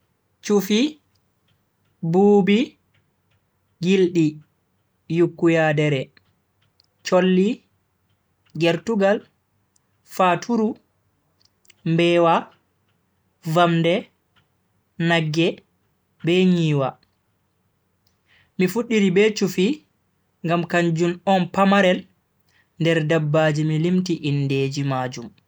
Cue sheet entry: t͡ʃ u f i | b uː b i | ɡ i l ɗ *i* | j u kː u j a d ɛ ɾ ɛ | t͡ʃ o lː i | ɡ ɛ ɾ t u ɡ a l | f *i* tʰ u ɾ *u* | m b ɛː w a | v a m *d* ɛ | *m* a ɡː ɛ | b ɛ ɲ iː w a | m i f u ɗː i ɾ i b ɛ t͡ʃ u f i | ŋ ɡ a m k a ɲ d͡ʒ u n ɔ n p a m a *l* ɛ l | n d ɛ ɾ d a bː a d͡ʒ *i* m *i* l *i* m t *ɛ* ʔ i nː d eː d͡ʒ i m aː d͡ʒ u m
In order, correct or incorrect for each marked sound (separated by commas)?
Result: correct, incorrect, correct, correct, incorrect, incorrect, correct, correct, correct, incorrect